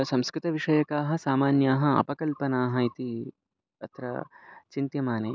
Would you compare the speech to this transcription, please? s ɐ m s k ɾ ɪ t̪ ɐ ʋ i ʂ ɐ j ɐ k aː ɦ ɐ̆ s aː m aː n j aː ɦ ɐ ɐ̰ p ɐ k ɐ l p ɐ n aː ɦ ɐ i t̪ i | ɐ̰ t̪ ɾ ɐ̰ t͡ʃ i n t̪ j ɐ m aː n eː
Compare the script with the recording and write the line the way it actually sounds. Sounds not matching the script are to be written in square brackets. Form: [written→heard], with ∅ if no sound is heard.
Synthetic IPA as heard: s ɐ m s k ɾ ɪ t̪ ɐ ʋ i ʂ ɐ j ɐ k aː ɦ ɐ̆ s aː m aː n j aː ɦ ɐ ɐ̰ p ɐ k ɐ l p ɐ n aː ɦ ɐ i t̪ i | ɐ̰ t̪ ɾ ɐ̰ t͡ʃ i n t̪ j ɐ m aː n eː